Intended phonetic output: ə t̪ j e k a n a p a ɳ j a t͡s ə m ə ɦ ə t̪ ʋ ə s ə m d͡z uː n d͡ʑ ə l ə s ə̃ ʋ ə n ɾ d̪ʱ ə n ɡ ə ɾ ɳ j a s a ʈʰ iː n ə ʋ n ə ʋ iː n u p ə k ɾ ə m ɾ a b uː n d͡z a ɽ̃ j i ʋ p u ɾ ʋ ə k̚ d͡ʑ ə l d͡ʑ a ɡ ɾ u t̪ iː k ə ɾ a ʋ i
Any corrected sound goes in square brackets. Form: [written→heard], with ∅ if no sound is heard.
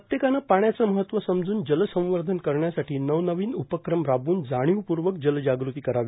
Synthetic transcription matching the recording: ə t̪ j e k a n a p a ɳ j a t͡s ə m ə ɦ ə t̪ ʋ ə s ə m d͡z uː n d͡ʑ ə l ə s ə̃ ʋ ə [n→∅] ɾ d̪ʱ ə n [ɡ→k] ə ɾ ɳ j a s a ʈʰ iː n ə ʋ n ə ʋ iː n u p ə k ɾ ə m ɾ a b uː n d͡z a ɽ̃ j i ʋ p u ɾ ʋ ə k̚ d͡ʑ ə l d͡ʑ a ɡ ɾ u t̪ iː k ə ɾ a ʋ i